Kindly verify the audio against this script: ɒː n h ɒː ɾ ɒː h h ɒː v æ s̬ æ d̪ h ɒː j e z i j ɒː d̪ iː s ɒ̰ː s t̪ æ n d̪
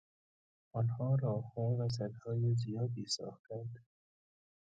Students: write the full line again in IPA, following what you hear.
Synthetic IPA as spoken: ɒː n h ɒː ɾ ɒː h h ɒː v æ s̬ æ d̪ h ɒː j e z i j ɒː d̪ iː s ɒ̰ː x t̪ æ n d̪